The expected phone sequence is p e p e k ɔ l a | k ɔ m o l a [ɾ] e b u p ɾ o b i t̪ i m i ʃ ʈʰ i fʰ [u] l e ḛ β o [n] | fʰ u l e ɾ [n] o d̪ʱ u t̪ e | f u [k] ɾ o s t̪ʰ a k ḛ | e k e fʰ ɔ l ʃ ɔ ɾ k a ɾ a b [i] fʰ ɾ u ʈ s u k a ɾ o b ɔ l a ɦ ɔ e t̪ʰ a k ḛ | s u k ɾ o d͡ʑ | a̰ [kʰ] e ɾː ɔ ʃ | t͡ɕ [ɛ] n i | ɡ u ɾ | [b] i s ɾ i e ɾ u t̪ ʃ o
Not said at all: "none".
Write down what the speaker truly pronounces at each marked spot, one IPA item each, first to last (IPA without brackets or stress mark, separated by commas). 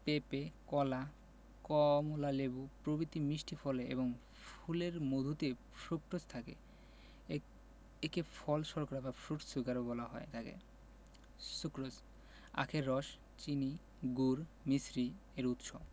l, ɔ, ŋ, m, k, a, kʰ, i, m